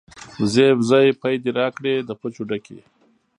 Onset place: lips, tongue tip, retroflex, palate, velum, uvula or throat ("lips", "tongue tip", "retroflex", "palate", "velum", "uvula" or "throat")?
tongue tip